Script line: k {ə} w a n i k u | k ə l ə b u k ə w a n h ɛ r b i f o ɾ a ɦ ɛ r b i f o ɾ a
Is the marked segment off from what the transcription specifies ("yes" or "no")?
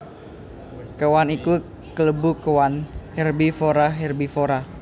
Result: no